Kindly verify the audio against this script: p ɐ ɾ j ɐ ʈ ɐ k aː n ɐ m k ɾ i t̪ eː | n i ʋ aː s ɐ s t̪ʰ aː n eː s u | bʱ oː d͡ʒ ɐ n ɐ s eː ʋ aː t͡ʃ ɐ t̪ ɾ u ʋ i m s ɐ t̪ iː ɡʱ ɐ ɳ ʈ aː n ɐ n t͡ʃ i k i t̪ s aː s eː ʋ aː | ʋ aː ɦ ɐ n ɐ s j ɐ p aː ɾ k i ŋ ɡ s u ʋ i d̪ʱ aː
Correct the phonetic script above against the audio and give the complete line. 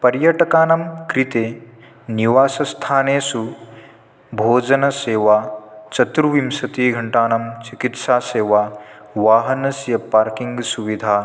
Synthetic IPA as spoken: p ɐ ɾ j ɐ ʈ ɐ k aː n ɐ m k ɾ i t̪ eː | n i ʋ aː s ɐ s t̪ʰ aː n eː s u | bʱ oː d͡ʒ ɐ n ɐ s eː ʋ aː t͡ʃ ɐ t̪ ɾ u ʋ i m s ɐ t̪ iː ɡʱ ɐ ɳ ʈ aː n ɐ m t͡ʃ i k i t̪ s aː s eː ʋ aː | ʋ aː ɦ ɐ n ɐ s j ɐ p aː ɾ k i ŋ ɡ s u ʋ i d̪ʱ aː